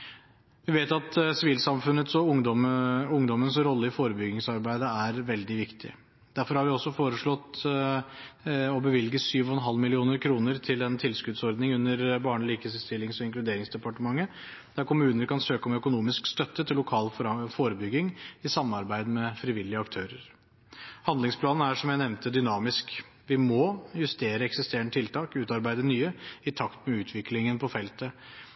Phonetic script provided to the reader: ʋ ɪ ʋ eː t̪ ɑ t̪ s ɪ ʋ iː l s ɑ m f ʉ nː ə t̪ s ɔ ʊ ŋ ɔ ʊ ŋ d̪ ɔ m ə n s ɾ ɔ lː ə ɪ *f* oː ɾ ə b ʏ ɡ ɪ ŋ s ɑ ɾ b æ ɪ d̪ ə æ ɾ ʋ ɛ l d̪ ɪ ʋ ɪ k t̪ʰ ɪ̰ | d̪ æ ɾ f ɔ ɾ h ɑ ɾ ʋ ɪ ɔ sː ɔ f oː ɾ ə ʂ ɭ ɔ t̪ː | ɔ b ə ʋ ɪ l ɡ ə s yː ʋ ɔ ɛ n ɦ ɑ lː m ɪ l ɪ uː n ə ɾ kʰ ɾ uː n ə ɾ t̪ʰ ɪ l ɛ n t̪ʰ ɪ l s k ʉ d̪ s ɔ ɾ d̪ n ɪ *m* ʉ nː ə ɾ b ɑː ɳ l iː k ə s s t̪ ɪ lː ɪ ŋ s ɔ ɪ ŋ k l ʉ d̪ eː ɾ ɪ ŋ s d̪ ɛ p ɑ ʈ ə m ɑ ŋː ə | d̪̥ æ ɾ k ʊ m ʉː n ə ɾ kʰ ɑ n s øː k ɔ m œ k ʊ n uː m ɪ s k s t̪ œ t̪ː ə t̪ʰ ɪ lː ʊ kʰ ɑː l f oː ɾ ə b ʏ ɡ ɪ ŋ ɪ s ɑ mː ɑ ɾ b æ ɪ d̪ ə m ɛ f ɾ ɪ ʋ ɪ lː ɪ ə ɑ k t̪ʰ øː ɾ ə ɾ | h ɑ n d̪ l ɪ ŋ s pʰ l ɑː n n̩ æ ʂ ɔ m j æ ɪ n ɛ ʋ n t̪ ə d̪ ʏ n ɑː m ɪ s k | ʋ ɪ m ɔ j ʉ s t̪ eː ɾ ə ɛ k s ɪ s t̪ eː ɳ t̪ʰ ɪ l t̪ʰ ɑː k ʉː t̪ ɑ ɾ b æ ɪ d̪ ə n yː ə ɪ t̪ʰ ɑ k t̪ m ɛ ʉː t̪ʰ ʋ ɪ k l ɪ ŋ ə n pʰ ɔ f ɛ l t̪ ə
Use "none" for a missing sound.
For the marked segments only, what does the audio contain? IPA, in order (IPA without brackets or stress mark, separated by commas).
f, ŋ